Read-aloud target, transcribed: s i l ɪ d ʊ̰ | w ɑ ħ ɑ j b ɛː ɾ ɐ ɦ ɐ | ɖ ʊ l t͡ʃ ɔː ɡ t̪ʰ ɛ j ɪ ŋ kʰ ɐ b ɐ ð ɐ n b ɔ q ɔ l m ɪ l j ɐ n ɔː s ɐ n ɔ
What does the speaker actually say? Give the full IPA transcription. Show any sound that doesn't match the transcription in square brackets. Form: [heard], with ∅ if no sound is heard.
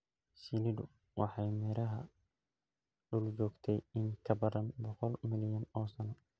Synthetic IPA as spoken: s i l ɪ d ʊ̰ | w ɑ ħ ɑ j [m] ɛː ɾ ɐ ɦ ɐ | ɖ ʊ l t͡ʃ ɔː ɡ t̪ʰ ɛ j ɪ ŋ kʰ ɐ b ɐ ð ɐ n b ɔ q ɔ l m ɪ l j ɐ n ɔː s ɐ n ɔ